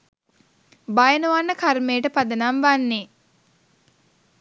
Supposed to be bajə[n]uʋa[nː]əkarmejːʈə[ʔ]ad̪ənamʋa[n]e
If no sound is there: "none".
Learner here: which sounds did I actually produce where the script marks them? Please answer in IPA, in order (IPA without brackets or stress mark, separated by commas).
n, nː, p, nː